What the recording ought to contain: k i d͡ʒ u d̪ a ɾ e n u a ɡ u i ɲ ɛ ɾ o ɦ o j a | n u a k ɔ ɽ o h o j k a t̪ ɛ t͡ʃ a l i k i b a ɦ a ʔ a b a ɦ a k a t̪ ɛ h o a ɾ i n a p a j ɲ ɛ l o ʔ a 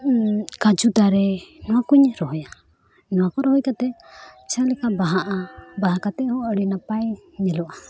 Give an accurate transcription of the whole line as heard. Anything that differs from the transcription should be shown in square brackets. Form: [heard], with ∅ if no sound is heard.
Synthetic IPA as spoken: k [a] d͡ʒ u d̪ a ɾ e n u a [k] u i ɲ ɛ ɾ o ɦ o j a | n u a k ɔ [ɾ] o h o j k a t̪ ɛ t͡ʃ a l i k [a] b a ɦ a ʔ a b a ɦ a k a t̪ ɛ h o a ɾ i n a p a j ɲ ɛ l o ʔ a

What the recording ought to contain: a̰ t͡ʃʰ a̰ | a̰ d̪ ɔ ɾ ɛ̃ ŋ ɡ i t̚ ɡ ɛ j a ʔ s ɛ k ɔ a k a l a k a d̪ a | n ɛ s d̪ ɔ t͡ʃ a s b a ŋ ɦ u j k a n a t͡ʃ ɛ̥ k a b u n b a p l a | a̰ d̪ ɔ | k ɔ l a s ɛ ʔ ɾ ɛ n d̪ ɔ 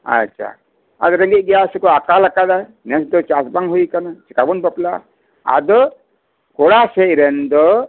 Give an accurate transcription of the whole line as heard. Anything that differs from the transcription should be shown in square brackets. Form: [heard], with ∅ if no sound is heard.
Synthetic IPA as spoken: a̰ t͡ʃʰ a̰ | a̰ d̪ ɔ ɾ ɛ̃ ŋ ɡ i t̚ ɡ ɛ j a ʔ s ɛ k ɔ a k a l a k a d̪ a | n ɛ s d̪ ɔ t͡ʃ a s b a ŋ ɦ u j k a n a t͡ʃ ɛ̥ k a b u n b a p l a | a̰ d̪ ɔ | k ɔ [ɽ] a s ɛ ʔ ɾ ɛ n d̪ ɔ

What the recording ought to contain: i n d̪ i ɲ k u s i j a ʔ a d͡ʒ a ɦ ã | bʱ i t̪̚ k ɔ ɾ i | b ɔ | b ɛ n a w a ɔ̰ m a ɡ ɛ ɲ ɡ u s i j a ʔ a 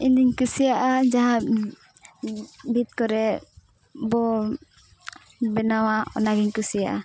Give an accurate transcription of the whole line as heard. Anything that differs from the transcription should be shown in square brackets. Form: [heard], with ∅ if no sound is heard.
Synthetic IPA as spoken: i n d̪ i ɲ k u s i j a ʔ a d͡ʒ a ɦ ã | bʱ i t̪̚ k ɔ ɾ [ɛ] | b ɔ | b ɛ n a w a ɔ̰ [n] a ɡ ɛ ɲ [k] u s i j a ʔ a

